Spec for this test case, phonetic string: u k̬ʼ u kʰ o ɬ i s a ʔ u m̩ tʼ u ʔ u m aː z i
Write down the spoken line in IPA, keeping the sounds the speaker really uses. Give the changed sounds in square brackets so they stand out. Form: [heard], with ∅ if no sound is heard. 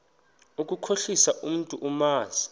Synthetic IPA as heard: u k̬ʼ u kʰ o ɬ i s a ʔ u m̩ tʼ u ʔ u m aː z i